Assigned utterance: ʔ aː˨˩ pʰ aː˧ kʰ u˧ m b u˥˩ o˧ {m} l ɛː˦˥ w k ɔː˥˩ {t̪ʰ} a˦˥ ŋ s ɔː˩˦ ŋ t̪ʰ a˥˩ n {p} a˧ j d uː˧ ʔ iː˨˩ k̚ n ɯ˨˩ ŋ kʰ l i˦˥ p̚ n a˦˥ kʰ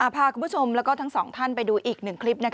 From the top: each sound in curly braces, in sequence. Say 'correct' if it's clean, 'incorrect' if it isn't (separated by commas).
correct, correct, correct